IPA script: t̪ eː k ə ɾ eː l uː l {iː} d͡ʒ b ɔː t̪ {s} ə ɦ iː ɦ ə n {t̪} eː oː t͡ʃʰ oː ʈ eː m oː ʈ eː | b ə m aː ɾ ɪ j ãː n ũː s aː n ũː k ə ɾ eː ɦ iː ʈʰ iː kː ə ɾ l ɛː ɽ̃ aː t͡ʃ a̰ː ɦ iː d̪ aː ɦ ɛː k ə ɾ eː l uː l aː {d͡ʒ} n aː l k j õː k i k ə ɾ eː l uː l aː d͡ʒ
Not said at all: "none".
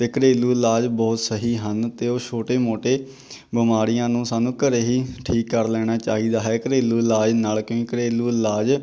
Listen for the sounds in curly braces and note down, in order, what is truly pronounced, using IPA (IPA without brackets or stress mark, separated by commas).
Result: aː, s, t̪, d͡ʒ